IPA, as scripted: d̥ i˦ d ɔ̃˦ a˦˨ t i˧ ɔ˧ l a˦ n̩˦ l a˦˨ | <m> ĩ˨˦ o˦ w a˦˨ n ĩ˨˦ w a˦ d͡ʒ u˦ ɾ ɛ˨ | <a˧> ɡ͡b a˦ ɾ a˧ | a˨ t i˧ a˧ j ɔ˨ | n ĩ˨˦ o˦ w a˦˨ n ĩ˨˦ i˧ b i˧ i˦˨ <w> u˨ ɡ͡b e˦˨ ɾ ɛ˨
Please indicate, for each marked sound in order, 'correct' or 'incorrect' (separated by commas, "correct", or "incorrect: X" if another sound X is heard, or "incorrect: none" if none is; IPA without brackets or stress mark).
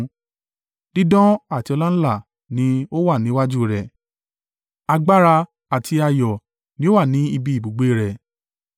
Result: incorrect: n, correct, incorrect: b